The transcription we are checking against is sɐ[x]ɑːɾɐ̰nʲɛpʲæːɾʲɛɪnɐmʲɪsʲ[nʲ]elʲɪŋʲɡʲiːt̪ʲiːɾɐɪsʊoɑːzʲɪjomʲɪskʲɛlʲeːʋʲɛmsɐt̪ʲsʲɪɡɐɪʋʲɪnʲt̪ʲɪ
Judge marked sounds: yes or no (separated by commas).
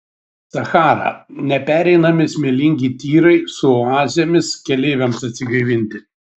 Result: yes, no